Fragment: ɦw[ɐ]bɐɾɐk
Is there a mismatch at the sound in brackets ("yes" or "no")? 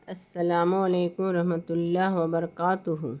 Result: no